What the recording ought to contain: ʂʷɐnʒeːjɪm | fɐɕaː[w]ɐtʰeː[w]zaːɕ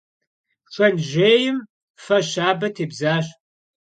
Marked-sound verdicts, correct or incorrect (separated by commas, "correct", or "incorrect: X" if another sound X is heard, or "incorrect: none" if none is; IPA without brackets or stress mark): incorrect: b, incorrect: b